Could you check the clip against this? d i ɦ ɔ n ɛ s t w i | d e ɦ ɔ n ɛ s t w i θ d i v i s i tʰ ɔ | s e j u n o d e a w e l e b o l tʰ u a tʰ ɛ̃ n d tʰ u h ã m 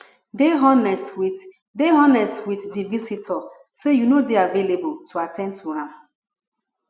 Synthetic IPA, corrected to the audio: d e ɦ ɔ n ɛ s t w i | d e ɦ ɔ n ɛ s t w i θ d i v i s i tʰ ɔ | s e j u n o d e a v e l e b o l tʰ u a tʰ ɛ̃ n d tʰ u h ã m